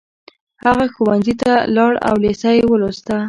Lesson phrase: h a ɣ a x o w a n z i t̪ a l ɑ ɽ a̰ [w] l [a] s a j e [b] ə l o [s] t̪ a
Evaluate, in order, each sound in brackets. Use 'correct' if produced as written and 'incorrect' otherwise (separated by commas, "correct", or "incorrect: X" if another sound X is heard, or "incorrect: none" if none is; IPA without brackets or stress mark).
correct, incorrect: e, incorrect: w, correct